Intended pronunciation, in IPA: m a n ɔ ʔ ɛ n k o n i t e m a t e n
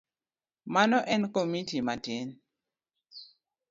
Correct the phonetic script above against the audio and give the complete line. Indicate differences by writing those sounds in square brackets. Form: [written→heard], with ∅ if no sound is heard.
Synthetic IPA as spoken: m a n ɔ ʔ ɛ n k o [n→m] i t [e→i] m a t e n

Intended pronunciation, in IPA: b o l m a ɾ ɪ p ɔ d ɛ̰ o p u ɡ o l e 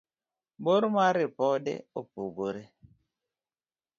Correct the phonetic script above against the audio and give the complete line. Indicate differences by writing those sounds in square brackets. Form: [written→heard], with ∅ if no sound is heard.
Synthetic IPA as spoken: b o [l→ɾ] m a ɾ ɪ p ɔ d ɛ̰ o p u ɡ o [l→ɾ] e

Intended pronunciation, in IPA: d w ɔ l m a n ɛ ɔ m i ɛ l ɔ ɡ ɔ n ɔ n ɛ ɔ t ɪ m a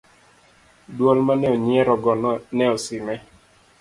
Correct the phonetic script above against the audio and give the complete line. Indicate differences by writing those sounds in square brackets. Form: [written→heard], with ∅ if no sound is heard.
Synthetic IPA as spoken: d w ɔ l m a n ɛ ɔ [m→ɲ] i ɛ [l→ɾ] ɔ ɡ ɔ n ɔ n ɛ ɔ [t→s] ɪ m [a→ɛ]

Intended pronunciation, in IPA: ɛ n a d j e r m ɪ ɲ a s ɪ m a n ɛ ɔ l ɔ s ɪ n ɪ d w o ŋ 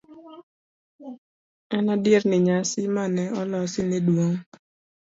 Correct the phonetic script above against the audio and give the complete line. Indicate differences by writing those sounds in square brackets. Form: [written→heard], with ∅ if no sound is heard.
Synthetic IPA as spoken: ɛ n a d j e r [m→n] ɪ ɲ a s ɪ m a n ɛ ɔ l ɔ s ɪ n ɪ d w o ŋ

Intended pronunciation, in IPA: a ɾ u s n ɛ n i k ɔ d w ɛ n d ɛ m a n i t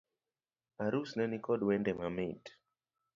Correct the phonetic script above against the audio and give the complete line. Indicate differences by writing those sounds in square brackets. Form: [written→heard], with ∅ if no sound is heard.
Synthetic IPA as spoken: a ɾ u s n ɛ n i k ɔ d w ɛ n d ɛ m a [n→m] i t

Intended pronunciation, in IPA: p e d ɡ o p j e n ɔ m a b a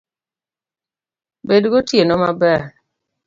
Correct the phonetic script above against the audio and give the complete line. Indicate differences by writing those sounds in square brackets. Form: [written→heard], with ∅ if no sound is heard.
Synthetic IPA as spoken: [p→b] e d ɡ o [p→t] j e n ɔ m a b [a→ɛ]

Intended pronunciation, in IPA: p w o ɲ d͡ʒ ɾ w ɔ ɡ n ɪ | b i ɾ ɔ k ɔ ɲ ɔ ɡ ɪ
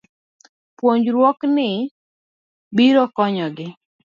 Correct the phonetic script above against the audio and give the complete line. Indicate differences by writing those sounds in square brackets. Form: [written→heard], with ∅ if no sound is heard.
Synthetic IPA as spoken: p w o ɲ d͡ʒ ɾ w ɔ [ɡ→k] n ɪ | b i ɾ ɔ k ɔ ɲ ɔ ɡ ɪ

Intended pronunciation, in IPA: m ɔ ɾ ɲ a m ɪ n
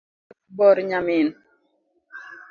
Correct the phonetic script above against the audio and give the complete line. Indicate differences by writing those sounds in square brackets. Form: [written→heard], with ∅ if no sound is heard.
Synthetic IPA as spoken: [m→b] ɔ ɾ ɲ a m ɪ n

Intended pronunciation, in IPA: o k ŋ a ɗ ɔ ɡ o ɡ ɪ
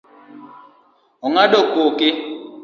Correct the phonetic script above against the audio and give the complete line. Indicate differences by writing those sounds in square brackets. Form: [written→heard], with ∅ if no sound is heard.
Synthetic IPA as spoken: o [k→∅] ŋ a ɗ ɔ [ɡ→k] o [ɡ→k] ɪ

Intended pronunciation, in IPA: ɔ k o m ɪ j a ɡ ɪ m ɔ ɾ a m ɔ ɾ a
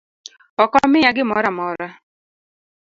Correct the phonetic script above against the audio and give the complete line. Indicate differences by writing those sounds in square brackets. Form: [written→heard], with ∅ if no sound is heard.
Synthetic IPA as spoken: ɔ k [o→ɔ] m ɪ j a ɡ ɪ m ɔ ɾ a m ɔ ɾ a

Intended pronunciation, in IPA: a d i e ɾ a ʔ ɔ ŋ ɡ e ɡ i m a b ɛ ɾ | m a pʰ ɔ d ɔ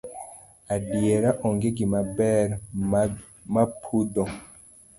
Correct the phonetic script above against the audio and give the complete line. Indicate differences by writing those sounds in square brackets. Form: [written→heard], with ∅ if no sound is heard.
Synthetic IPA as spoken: a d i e ɾ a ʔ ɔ ŋ ɡ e ɡ i m a b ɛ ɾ | m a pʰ [ɔ→u] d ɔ

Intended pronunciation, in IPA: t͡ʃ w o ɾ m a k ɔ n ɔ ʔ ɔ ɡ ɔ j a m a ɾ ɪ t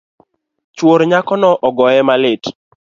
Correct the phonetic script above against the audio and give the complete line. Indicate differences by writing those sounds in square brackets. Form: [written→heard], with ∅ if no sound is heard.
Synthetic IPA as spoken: t͡ʃ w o ɾ [m→ɲ] a k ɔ n ɔ ʔ ɔ ɡ ɔ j [a→ɛ] m a [ɾ→l] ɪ t

